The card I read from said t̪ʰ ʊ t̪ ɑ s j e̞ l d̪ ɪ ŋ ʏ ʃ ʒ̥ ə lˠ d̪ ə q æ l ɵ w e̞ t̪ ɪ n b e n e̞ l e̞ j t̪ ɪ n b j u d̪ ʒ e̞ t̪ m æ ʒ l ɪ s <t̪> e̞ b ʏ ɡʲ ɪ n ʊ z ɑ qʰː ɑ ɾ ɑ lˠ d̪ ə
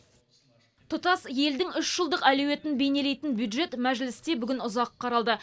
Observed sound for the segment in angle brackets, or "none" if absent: t̪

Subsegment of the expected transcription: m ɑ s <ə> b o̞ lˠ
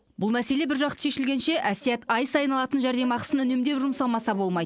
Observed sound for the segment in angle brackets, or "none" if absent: ɑ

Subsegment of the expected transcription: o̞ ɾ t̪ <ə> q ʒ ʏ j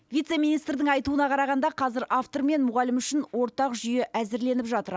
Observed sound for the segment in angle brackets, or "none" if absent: ɑ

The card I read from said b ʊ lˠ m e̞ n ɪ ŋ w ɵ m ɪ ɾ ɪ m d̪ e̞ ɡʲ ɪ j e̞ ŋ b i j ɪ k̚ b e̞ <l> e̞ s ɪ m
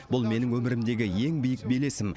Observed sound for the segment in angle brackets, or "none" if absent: l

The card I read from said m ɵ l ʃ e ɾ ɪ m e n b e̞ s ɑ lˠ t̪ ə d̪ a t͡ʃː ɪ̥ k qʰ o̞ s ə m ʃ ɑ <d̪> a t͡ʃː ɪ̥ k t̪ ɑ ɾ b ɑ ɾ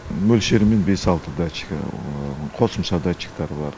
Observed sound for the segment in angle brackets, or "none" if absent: d̪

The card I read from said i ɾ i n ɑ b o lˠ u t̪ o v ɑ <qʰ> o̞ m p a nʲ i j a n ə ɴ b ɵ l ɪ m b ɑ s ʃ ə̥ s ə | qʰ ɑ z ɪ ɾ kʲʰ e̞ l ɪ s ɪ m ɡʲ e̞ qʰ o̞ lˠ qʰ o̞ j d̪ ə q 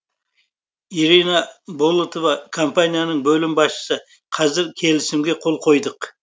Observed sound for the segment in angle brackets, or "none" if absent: kʰ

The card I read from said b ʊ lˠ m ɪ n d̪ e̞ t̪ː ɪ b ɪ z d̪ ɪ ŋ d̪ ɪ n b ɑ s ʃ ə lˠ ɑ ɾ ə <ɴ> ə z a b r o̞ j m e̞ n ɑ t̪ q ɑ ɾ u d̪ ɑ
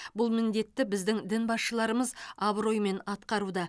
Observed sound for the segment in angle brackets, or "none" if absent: m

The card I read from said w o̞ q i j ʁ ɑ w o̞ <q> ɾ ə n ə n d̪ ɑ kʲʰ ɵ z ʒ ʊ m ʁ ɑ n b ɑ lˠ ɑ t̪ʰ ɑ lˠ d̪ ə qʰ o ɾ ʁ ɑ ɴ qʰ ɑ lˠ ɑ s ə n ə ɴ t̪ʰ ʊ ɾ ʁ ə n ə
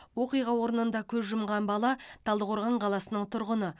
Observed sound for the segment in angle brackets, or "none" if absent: none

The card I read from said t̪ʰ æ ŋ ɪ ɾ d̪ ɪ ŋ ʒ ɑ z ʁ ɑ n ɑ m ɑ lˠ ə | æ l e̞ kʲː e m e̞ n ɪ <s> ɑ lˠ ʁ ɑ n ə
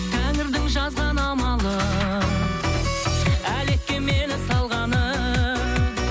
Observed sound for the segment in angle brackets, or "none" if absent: s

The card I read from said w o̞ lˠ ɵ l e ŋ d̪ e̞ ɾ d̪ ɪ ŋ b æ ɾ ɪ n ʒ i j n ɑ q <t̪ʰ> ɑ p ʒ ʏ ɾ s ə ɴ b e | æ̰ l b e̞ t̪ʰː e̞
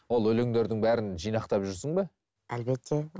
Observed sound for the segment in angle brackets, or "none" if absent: t̪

